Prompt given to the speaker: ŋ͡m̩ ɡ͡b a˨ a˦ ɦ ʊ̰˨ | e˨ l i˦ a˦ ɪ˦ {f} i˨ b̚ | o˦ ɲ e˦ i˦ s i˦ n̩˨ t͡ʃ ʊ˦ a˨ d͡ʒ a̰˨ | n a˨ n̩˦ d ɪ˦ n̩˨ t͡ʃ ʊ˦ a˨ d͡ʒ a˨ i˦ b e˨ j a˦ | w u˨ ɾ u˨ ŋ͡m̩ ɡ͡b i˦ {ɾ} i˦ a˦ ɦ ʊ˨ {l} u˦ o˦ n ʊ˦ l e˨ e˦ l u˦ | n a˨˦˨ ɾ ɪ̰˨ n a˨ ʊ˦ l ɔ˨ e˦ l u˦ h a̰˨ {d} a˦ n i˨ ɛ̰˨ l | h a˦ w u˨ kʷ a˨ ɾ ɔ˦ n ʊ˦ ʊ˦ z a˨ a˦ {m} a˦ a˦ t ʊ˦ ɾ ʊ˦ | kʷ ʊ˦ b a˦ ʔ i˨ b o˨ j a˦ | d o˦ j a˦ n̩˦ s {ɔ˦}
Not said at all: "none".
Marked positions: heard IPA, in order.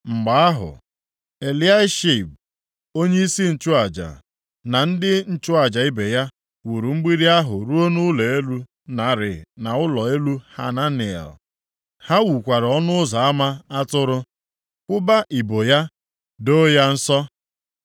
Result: ʃ, ɾ, ɾ, n, m, ɔ˦

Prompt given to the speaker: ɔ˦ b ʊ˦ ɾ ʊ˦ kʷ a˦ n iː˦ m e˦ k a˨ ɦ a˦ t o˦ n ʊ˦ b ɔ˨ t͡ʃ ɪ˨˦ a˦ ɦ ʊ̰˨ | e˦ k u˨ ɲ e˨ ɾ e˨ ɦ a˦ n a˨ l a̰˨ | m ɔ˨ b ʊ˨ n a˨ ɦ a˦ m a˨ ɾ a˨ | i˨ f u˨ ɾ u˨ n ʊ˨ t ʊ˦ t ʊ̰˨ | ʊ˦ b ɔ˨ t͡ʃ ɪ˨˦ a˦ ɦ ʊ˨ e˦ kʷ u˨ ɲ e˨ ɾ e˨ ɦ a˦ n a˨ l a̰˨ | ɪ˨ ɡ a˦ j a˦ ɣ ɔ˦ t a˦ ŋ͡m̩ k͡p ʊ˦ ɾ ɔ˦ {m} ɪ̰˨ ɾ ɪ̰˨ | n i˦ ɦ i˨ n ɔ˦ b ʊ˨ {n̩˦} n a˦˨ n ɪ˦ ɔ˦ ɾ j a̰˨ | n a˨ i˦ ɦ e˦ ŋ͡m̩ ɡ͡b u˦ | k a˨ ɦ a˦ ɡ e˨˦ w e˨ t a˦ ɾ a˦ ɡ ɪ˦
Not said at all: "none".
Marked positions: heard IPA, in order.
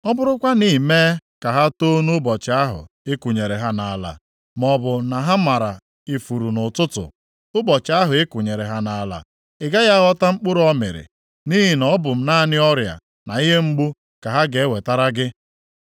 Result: m, m̩˦

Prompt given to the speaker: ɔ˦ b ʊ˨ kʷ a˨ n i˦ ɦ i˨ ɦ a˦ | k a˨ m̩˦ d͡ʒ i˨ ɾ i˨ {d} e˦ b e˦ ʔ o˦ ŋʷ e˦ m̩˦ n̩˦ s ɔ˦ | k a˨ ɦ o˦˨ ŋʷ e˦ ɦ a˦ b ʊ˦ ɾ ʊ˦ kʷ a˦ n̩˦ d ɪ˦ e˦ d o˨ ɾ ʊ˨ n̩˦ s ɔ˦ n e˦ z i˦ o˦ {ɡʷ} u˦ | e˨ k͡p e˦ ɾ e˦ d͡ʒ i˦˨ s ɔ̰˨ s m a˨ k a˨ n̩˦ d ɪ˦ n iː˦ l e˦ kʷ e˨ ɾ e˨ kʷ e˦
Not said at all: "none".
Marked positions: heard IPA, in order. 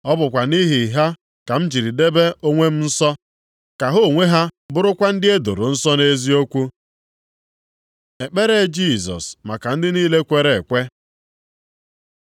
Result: d, kʷ

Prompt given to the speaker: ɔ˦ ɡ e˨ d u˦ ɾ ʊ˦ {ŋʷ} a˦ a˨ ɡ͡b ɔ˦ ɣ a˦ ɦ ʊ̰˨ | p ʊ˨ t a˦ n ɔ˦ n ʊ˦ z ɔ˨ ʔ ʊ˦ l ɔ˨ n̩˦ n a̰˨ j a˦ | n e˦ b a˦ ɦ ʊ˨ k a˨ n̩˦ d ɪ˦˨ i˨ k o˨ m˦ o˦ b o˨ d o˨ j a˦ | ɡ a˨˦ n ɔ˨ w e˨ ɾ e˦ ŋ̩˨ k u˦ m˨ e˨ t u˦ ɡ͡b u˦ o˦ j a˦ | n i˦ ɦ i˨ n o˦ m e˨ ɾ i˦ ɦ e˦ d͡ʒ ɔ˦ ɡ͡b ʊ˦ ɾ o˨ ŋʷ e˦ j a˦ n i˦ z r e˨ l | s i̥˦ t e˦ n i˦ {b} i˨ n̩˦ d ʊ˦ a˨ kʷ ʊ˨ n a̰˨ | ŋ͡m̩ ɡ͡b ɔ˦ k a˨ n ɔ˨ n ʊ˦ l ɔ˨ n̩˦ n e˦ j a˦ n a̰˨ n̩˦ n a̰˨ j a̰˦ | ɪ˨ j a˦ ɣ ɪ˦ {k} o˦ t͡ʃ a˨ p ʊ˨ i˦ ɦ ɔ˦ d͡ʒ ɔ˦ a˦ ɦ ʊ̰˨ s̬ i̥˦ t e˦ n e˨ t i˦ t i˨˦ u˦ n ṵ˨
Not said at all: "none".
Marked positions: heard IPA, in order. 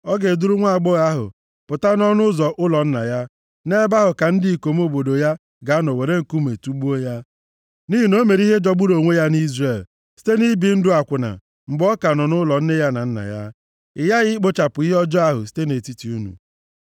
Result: ŋʷ, b, k͡p

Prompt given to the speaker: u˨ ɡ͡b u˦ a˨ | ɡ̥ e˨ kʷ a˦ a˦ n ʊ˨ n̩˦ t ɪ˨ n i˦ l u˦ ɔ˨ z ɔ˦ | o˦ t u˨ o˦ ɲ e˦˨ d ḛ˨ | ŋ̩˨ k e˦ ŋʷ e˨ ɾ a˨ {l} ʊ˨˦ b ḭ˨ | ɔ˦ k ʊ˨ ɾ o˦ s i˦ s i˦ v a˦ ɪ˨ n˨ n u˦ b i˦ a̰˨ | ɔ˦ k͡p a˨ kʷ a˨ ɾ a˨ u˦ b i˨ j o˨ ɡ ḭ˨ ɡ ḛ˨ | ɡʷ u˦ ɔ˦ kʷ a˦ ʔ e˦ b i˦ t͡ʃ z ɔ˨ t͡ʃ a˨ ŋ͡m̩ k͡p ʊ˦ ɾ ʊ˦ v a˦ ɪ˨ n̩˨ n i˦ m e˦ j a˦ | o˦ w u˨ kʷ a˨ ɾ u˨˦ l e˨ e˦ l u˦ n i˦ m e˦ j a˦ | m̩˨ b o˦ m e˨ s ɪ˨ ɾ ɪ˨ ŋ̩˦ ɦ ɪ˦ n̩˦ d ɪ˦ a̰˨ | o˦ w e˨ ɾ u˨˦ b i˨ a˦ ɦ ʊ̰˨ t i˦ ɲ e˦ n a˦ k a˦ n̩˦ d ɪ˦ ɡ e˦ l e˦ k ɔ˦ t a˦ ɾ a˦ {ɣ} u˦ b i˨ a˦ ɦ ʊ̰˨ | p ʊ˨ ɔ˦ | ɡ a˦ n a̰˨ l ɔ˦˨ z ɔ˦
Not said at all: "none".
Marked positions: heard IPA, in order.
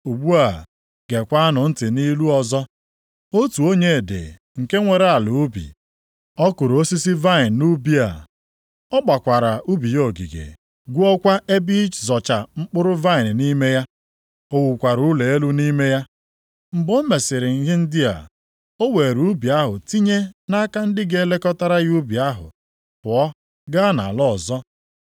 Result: l, ɣ

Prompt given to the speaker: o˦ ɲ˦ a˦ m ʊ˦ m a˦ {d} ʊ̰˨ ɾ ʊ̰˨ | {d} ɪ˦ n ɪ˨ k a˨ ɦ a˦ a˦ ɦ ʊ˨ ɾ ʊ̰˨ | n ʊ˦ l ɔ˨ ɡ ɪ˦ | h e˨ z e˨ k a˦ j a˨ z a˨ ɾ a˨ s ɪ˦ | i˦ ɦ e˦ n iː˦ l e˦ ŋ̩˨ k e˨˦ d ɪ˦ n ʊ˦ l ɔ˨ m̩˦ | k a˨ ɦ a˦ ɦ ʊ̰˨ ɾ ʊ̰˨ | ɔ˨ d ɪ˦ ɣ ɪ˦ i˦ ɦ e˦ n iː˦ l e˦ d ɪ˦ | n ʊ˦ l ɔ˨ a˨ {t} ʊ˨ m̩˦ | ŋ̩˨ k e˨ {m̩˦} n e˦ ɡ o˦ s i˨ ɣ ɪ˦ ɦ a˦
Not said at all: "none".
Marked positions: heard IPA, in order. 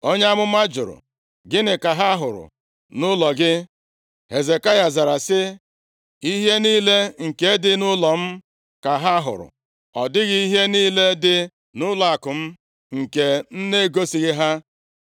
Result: d͡ʒ, ɡ, k, n̩˦

